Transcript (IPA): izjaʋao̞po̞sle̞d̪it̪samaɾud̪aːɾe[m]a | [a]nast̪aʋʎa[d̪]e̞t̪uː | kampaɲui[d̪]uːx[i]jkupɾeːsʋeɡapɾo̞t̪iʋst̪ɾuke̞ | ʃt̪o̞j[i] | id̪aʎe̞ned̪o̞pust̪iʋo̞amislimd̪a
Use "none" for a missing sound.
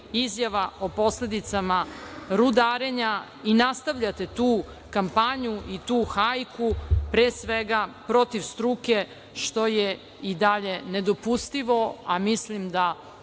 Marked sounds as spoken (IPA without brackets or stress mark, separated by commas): ɲ, i, t̪, t̪, a, e